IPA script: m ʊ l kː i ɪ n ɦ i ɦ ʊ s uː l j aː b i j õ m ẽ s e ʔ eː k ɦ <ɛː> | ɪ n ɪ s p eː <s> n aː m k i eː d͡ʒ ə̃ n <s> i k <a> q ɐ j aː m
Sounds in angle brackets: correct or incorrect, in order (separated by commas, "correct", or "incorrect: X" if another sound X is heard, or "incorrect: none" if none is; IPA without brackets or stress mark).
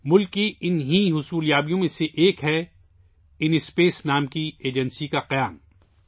incorrect: ɛ, correct, correct, correct